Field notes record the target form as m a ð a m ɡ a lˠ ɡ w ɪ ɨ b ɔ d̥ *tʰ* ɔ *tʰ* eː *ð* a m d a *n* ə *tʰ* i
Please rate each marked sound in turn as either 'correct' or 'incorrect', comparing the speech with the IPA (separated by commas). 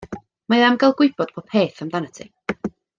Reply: incorrect, incorrect, incorrect, correct, correct